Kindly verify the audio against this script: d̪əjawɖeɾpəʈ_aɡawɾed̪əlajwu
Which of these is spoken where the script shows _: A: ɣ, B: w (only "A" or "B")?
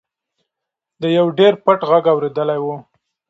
A